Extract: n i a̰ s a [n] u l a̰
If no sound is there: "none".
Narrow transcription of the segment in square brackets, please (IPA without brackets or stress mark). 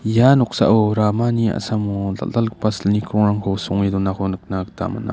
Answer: m